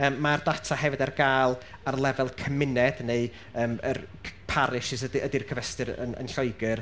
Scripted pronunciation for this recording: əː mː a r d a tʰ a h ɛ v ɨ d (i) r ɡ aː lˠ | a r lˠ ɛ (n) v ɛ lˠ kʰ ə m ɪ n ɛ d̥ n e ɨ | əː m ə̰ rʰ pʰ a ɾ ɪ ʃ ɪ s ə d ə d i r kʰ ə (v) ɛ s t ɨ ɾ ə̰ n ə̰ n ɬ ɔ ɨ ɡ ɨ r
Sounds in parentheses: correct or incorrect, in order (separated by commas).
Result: incorrect, incorrect, correct